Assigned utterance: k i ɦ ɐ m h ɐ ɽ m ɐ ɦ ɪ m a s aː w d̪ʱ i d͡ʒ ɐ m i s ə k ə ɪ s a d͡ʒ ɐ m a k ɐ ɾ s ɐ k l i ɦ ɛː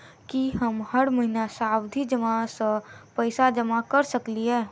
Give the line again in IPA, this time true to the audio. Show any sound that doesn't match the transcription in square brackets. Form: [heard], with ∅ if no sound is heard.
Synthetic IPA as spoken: k i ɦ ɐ m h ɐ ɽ m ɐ ɦ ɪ [n] a s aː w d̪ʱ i d͡ʒ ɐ m [a] s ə [p] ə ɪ s a d͡ʒ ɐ m a k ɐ ɾ s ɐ k l i ɦ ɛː